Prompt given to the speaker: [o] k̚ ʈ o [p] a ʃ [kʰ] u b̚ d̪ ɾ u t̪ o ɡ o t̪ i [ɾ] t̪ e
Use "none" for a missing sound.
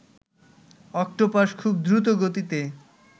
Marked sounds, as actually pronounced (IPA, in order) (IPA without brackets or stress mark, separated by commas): ɔ, p, kʰ, none